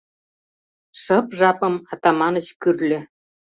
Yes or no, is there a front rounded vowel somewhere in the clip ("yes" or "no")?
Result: yes